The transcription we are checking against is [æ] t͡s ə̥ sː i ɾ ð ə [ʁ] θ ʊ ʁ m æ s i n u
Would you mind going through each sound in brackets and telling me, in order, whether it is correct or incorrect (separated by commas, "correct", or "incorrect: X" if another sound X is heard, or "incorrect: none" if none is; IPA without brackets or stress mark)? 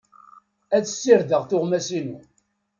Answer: correct, correct